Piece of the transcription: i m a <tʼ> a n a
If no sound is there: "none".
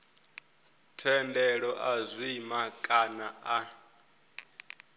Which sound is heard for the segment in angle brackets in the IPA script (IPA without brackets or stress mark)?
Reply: kʼ